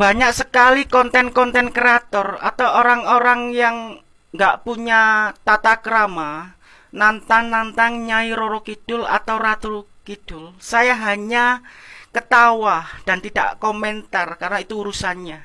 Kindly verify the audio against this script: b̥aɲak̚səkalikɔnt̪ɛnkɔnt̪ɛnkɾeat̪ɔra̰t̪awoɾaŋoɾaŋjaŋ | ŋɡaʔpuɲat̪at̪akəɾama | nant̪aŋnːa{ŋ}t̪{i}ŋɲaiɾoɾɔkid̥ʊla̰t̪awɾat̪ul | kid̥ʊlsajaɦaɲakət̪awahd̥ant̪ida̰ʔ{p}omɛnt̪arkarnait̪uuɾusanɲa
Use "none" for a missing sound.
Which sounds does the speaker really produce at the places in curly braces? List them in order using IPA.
n, a, k

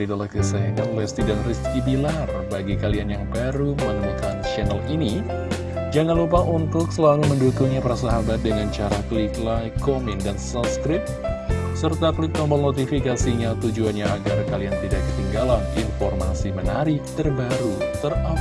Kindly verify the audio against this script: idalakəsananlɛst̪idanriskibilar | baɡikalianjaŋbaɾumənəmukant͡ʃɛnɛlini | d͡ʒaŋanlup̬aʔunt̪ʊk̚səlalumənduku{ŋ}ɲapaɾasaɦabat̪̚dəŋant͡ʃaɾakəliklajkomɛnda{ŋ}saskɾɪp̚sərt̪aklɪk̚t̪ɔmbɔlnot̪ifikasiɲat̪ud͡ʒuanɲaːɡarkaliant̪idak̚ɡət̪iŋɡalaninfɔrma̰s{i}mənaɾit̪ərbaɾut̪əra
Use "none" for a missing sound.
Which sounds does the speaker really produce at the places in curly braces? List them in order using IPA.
ŋ, n, i

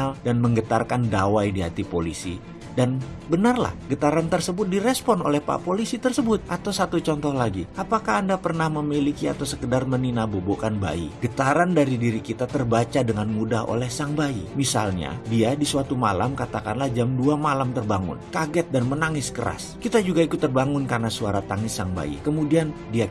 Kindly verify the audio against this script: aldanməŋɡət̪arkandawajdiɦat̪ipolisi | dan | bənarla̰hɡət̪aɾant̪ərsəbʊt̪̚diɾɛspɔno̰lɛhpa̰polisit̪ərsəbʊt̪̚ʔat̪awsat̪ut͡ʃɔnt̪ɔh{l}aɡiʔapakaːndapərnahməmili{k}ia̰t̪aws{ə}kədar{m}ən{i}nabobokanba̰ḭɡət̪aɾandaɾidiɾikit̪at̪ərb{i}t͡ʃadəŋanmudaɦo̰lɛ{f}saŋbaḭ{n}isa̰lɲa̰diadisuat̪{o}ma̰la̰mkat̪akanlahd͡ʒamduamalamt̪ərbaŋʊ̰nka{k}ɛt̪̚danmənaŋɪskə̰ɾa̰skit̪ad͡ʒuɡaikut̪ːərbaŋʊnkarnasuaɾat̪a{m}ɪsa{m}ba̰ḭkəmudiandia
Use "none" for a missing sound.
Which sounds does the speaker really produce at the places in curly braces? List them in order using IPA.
l, k, ə, m, i, a, h, m, u, ɡ, ŋ, ŋ

